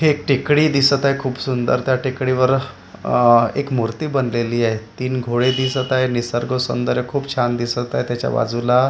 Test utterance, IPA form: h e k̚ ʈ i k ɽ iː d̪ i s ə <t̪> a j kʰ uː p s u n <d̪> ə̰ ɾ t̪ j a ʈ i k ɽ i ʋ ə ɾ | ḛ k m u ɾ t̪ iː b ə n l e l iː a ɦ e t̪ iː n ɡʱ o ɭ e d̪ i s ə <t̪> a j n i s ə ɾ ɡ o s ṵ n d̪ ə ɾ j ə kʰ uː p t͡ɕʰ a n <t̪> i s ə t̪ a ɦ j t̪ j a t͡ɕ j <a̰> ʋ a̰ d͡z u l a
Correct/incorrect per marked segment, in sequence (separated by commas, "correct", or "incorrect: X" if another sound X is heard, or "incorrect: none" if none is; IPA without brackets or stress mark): correct, correct, correct, incorrect: d̪, correct